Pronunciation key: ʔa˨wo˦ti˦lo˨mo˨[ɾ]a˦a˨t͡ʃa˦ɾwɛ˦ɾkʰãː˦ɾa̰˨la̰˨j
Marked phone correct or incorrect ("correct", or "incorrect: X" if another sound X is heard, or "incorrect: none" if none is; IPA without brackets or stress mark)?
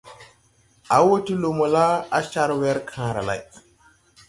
incorrect: l